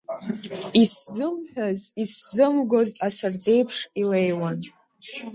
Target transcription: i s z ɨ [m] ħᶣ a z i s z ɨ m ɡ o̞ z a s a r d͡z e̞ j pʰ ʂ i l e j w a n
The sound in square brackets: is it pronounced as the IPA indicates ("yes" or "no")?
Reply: yes